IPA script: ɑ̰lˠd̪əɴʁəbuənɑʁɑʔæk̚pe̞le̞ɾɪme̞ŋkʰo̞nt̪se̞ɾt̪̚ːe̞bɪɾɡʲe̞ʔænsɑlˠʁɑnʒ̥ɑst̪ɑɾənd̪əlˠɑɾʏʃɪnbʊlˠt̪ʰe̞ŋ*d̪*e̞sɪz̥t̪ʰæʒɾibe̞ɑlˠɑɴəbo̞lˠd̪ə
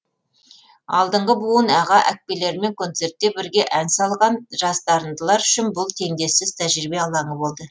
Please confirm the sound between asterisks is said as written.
yes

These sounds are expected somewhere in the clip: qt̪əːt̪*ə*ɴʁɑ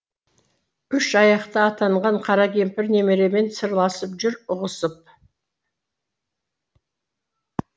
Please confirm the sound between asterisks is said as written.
no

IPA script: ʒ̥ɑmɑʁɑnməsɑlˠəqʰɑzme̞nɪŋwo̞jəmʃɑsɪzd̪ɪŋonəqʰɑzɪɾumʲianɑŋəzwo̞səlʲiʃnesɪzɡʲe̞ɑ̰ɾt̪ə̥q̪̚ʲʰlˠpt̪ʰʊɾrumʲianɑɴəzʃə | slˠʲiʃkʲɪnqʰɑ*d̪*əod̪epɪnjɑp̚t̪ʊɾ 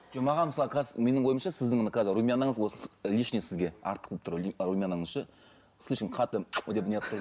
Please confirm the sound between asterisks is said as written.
no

